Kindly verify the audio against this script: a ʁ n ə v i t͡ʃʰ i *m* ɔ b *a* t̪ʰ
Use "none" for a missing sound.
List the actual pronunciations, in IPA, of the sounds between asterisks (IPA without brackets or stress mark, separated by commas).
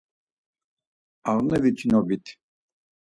n, i